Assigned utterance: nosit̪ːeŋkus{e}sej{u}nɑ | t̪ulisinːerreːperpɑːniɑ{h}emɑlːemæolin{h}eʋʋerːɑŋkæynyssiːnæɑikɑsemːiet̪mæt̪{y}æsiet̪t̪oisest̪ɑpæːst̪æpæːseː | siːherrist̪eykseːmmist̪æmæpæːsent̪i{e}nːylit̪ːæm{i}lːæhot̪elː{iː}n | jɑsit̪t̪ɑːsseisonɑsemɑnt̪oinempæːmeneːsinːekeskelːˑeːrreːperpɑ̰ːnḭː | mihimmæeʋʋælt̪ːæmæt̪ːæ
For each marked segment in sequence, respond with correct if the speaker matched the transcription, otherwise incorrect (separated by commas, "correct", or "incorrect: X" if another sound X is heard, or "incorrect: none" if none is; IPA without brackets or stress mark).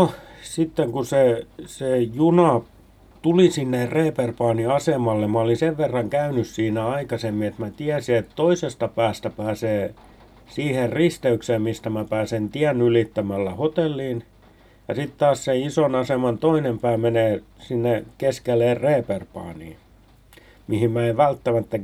correct, correct, incorrect: s, incorrect: s, incorrect: i, incorrect: æ, incorrect: æ, correct